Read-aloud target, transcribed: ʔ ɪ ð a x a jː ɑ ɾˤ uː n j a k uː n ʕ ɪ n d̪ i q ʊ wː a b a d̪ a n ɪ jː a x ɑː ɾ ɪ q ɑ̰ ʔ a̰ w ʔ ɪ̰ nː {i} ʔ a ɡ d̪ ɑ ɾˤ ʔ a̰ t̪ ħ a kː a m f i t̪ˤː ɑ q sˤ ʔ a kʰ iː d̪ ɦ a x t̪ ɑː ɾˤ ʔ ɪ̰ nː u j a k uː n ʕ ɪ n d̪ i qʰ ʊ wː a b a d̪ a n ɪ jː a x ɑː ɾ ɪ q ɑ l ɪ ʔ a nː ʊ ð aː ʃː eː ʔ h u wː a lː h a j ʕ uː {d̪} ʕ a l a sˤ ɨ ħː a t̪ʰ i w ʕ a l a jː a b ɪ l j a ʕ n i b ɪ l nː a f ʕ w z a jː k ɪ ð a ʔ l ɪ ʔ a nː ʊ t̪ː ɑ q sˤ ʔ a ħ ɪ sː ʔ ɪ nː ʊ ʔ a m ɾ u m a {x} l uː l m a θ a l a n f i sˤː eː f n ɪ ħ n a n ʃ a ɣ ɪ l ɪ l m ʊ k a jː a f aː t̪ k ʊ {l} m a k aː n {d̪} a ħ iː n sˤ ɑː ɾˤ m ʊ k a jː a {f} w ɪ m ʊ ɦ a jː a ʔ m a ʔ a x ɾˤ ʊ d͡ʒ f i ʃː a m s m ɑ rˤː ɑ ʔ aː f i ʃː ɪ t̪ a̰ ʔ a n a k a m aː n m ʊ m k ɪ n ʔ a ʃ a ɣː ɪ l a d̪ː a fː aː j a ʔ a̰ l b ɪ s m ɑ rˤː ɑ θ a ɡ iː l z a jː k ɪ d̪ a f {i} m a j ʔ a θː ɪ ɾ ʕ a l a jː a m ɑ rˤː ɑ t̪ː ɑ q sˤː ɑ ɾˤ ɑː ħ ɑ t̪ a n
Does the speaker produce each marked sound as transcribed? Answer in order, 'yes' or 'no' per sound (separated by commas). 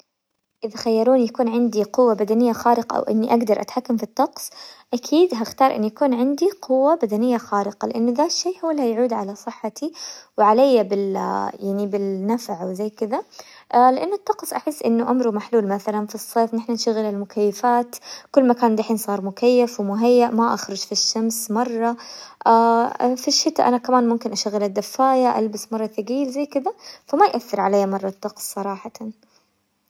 yes, yes, no, no, yes, yes, no